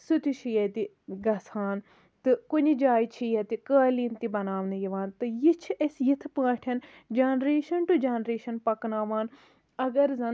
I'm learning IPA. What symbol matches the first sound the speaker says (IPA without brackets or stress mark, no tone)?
s